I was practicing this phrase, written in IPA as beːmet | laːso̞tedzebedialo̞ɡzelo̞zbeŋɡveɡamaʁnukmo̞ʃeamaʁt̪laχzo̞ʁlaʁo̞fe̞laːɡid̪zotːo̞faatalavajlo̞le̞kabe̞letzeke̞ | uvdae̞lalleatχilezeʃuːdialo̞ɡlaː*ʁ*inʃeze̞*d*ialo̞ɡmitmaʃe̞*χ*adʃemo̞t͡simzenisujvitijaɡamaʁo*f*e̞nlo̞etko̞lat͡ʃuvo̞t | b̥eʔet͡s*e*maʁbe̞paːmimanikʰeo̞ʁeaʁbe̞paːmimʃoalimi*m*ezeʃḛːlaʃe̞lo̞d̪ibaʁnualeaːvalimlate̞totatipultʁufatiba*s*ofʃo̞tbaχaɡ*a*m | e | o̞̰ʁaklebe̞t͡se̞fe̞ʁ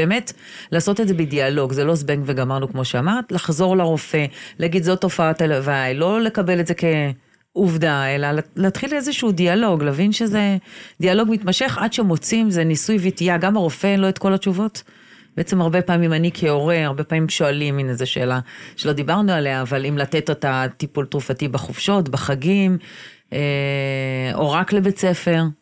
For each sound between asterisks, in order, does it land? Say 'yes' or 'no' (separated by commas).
no, yes, yes, yes, yes, no, no, no